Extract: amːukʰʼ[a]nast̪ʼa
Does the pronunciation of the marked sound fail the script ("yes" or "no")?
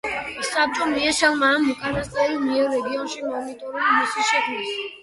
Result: no